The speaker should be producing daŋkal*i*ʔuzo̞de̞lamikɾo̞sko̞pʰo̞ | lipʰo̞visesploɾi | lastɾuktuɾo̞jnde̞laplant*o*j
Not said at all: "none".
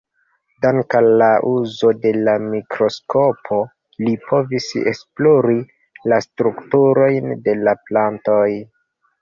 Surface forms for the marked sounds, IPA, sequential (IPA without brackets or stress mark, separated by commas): a, o